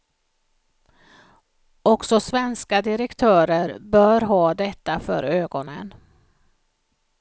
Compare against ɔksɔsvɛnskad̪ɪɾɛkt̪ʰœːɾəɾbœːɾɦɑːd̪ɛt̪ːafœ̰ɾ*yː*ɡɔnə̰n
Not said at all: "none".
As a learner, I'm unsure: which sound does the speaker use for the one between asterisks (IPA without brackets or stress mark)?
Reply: øː